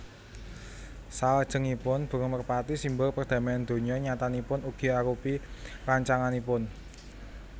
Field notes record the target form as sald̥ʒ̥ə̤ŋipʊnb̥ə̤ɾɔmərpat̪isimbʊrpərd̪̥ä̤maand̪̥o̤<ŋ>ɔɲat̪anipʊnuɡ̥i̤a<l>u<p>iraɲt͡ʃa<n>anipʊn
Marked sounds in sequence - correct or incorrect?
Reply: incorrect: ɲ, incorrect: ɾ, correct, incorrect: ŋ

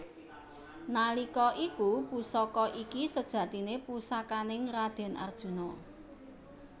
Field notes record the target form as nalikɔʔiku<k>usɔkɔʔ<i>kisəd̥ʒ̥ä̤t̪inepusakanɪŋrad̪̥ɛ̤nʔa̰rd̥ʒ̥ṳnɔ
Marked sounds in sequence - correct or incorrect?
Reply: incorrect: p, correct

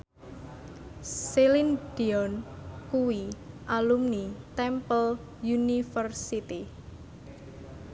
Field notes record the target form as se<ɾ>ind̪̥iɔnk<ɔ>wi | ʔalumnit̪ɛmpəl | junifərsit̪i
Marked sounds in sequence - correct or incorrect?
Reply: incorrect: l, incorrect: u

